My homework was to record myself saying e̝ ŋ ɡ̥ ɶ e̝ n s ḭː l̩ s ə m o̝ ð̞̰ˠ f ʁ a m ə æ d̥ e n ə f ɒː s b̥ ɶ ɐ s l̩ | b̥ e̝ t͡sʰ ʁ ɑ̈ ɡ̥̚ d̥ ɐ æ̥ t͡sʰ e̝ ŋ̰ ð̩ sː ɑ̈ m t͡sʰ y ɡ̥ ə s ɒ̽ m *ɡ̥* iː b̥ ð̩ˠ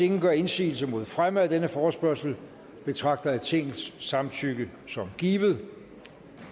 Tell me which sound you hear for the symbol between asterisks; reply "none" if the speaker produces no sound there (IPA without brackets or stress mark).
ɡ̥